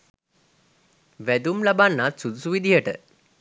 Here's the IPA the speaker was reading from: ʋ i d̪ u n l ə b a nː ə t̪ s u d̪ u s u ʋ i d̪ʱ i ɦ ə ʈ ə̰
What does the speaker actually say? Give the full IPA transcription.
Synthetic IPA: ʋ æ d̪ u m l a b a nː a t̪ s u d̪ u s u ʋ i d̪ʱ i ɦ ə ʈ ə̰